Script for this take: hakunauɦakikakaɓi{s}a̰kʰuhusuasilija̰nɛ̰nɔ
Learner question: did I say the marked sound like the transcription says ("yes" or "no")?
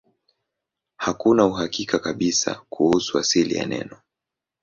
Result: yes